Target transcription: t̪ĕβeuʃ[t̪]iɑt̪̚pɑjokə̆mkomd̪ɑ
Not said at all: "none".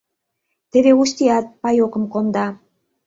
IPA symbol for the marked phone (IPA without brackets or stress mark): t̪